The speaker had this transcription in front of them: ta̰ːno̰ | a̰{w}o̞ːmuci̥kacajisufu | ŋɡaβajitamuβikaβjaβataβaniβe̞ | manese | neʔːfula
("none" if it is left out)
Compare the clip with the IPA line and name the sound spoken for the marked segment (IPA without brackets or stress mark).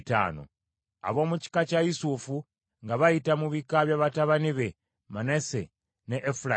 β